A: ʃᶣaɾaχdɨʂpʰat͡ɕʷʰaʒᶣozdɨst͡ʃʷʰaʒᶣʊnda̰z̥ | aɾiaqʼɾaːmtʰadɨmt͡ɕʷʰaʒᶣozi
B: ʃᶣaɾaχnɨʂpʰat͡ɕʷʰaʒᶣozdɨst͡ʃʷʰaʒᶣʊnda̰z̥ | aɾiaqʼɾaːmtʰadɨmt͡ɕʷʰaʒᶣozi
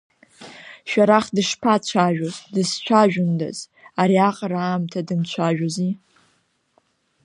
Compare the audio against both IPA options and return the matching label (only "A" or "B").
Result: A